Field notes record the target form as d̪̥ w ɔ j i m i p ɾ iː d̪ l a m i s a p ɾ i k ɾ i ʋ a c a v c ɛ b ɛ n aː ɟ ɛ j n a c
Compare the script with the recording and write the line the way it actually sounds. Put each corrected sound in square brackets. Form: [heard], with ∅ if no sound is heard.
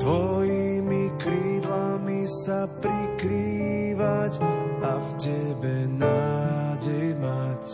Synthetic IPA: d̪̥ [ʋ] ɔ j i m i [k] ɾ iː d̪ l a m i s a p ɾ i k ɾ i ʋ a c a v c ɛ b ɛ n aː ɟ ɛ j [m] a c